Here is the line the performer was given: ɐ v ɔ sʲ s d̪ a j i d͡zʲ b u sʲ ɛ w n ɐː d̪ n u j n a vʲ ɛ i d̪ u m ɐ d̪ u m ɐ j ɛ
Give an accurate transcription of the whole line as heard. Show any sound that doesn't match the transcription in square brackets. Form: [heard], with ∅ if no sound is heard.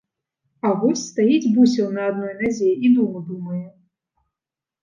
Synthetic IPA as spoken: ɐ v ɔ sʲ s [t̪] a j i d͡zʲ b u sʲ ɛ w n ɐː d̪ n [ɔ] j n a [zʲ] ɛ i d̪ u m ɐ d̪ u m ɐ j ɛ